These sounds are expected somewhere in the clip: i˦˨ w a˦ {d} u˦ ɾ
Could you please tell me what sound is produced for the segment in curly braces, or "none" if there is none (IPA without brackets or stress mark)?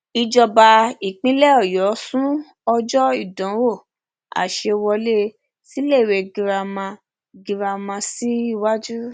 d͡ʒ